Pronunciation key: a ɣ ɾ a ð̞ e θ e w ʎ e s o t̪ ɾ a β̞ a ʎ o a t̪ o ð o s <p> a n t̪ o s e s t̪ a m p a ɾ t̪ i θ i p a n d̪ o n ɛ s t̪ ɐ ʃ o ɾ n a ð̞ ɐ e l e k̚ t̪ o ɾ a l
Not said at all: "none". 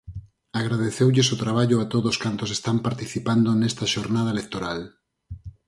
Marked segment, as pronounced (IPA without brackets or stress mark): k